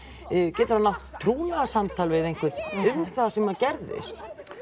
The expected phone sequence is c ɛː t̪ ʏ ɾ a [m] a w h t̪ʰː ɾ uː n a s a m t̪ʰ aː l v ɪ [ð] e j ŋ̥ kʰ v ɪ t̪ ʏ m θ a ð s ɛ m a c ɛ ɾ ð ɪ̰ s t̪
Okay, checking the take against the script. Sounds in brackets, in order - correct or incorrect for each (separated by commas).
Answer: incorrect, correct